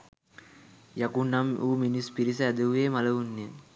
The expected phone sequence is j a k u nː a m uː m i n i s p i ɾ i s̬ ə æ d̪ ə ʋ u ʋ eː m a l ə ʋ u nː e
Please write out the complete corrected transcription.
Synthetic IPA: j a k u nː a m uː m i n i s p i ɾ i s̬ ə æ d̪ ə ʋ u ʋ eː m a l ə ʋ u nː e